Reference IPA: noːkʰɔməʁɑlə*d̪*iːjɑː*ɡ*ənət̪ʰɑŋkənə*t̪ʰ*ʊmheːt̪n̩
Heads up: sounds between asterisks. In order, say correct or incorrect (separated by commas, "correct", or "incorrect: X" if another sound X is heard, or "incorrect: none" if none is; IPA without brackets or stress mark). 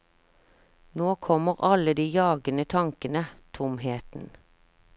correct, correct, correct